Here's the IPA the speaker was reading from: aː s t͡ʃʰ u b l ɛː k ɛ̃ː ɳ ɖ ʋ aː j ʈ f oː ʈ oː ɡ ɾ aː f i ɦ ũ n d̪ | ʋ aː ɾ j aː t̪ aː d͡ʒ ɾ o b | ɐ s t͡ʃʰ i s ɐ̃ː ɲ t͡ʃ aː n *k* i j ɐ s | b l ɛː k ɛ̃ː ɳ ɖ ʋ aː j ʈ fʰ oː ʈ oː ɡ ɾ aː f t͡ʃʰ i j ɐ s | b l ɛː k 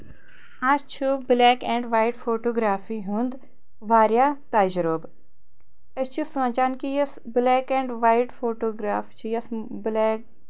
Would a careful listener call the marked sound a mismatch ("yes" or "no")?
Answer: no